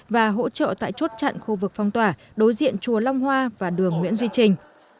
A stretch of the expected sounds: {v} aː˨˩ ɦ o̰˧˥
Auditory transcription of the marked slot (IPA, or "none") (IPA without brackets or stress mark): v